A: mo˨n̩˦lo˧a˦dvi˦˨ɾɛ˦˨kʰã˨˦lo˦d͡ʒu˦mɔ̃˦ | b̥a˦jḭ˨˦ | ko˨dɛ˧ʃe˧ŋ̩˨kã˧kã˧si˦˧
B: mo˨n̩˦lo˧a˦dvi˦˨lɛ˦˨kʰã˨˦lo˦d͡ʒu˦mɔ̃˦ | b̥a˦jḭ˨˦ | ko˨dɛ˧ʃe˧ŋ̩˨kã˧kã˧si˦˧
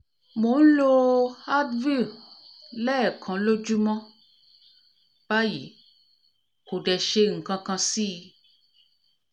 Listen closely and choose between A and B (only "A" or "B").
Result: B